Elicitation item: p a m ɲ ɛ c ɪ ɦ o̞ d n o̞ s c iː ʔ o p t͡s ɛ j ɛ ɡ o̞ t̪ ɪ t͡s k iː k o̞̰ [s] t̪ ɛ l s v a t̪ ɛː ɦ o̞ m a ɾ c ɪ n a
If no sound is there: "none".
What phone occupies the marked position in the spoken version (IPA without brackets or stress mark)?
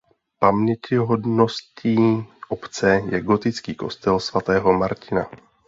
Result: s